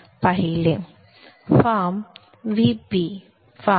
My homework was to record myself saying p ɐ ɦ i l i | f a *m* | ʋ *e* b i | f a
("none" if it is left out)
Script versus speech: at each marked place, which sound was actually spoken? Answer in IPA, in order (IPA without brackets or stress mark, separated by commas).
m, i